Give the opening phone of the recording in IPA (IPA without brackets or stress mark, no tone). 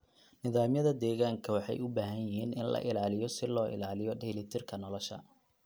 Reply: n